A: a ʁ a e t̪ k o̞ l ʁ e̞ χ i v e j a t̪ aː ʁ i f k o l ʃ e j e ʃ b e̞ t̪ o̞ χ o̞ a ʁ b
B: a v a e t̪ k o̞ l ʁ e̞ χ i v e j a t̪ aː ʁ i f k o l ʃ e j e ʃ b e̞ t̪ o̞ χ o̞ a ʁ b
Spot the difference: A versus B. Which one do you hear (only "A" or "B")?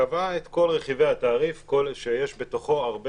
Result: B